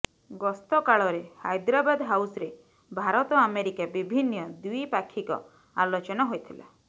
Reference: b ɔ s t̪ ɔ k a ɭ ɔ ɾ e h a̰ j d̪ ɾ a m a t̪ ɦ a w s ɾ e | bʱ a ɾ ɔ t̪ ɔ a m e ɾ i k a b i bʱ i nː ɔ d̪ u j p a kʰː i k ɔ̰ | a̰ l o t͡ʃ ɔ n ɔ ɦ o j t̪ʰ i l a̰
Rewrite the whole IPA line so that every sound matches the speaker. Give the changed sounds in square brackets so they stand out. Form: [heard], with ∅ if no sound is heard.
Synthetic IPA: [ɡ] ɔ s t̪ ɔ k a ɭ ɔ ɾ e h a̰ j d̪ ɾ a [b] a [d̪] ɦ a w s ɾ e | bʱ a ɾ ɔ t̪ ɔ a m e ɾ i k a b i bʱ i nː ɔ d̪ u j p a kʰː i k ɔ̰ | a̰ l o t͡ʃ ɔ n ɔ ɦ o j t̪ʰ i l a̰